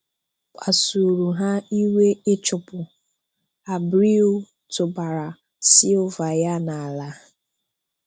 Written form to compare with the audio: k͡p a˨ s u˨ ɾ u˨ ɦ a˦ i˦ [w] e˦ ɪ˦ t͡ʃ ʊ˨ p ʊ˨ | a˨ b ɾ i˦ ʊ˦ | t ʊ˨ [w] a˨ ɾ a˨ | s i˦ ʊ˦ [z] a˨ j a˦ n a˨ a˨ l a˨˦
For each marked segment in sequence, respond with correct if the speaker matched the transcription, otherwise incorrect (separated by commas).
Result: correct, incorrect, incorrect